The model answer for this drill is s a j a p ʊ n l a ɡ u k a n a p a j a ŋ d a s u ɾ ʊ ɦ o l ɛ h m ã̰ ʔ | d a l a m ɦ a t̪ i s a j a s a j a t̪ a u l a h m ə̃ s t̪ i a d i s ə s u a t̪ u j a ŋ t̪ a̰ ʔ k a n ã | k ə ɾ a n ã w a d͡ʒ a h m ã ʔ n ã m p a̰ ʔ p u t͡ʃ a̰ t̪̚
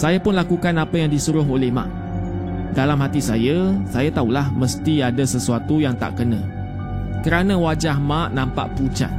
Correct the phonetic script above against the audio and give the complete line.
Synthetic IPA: s a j a p ʊ n l a k u k a n a p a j a ŋ d i s u ɾ ʊ ɦ o l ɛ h m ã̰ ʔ | d a l a m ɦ a t̪ i s a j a s a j a t̪ a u l a h m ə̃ s t̪ i a d a s ə s u a t̪ u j a ŋ t̪ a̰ ʔ k ə n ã | k ə ɾ a n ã w a d͡ʒ a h m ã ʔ n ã m p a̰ ʔ p u t͡ʃ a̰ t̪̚